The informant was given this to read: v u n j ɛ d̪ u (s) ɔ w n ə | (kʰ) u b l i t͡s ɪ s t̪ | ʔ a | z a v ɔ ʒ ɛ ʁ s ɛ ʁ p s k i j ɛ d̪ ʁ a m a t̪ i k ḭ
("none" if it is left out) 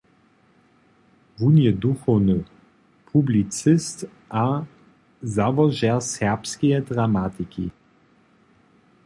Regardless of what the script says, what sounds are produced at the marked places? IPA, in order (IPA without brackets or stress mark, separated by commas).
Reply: x, pʰ